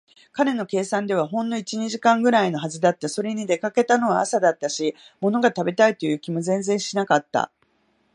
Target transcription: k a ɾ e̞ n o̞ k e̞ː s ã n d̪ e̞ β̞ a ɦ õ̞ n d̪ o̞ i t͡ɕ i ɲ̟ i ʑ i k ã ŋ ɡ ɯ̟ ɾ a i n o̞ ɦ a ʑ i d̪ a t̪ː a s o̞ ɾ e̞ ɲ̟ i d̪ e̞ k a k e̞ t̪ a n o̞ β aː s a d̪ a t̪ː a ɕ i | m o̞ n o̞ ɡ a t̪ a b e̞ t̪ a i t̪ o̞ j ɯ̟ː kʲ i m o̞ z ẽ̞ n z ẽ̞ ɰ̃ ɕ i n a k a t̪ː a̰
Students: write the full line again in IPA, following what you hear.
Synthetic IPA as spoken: k a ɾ e̞ n o̞ k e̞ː s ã n d̪ e̞ β̞ a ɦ õ̞ n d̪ o̞ i t͡ɕ i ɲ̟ i ʑ i k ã ŋ ɡ ɯ̟ ɾ a i n o̞ ɦ a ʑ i d̪ a t̪ː a s o̞ ɾ e̞ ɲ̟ i d̪ e̞ k a k e̞ t̪ a n o̞ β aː s a d̪ a t̪ː a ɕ i | m o̞ n o̞ ɡ a t̪ a b e̞ t̪ a i t̪ o̞ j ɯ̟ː kʲ i m o̞ z ẽ̞ n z ẽ̞ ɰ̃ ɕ i n a k a t̪ː a̰